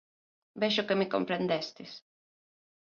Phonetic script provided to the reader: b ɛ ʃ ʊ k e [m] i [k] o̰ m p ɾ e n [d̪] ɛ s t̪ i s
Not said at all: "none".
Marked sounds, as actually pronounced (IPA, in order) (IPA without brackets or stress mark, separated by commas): m, k, d̪